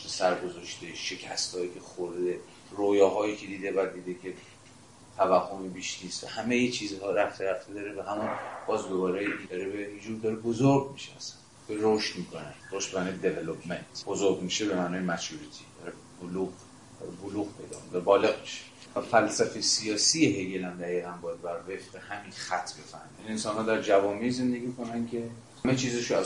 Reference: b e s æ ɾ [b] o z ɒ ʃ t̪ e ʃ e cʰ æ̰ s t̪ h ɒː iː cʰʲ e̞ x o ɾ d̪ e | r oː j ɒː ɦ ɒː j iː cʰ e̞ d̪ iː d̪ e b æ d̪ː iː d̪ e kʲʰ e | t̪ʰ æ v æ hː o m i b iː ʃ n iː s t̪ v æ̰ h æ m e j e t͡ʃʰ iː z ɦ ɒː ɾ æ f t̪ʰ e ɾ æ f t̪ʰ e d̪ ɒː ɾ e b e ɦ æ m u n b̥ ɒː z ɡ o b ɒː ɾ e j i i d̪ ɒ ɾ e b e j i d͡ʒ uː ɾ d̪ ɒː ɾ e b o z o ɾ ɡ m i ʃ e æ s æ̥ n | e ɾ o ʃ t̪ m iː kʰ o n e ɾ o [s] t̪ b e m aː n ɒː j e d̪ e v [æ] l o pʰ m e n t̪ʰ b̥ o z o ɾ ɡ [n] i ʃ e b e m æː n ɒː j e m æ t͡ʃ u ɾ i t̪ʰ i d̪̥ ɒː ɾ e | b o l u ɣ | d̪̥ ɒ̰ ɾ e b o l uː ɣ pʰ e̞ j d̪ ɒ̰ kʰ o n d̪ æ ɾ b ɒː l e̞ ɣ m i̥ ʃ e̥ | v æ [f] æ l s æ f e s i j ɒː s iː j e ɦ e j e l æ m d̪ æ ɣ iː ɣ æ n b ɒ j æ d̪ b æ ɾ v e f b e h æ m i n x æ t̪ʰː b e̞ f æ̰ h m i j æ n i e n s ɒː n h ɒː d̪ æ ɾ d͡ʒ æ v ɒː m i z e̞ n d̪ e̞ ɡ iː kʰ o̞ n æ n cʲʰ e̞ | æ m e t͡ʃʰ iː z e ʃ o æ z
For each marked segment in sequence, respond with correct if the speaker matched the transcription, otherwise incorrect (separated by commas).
incorrect, incorrect, incorrect, incorrect, correct